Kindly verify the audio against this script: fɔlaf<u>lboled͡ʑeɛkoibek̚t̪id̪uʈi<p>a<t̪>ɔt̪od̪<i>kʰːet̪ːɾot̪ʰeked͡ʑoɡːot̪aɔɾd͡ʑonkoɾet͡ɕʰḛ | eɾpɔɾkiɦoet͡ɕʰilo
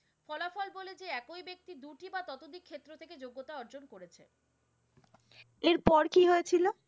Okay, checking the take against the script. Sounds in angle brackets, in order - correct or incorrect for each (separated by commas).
incorrect, incorrect, correct, correct